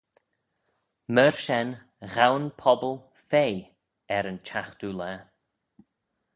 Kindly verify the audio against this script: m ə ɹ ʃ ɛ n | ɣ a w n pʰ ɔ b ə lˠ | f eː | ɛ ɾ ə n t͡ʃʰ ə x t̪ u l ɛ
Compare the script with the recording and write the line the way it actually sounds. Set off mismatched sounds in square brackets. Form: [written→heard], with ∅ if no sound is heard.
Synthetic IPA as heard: m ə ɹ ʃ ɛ n | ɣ a w n pʰ ɔ b ə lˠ | f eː | ɛ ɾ ə n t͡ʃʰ [ə→a] x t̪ u l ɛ